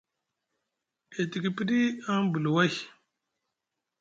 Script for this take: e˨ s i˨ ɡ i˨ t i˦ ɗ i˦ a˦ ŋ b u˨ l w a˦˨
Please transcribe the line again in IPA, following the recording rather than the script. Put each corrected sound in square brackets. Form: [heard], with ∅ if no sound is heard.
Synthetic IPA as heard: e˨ [t] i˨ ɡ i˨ [p] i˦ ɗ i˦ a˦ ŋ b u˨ l w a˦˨